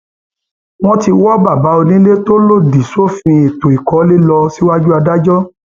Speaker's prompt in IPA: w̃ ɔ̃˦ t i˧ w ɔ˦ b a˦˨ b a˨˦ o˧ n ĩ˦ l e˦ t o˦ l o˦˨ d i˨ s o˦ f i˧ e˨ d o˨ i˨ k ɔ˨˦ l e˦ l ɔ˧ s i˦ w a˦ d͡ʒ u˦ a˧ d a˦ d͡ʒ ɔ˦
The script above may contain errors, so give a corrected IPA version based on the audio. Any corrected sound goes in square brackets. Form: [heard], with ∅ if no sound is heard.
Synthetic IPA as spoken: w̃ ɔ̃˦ t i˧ w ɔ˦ b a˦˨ b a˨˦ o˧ n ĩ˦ l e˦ t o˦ l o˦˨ d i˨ s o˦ f [ĩ˧] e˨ [t] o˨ i˨ k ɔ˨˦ l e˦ l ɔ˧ s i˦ w a˦ d͡ʒ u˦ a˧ d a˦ d͡ʒ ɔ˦